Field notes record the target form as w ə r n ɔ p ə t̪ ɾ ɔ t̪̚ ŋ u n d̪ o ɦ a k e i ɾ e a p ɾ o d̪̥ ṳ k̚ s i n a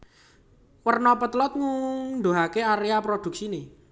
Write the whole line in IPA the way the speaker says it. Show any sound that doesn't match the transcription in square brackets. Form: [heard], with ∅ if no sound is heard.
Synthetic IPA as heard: w ə r n ɔ p ə t̪ [l] ɔ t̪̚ ŋ u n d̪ o ɦ a k e [a] ɾ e a p ɾ o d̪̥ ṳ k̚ s i n [e]